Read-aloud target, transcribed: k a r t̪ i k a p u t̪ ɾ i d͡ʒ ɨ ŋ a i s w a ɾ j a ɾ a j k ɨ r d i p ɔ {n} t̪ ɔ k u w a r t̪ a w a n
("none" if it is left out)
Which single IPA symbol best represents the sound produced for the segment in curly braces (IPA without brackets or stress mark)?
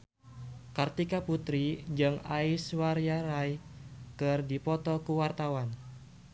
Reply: none